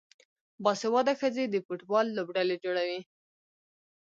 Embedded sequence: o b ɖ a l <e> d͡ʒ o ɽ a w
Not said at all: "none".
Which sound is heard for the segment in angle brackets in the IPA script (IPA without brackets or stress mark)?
e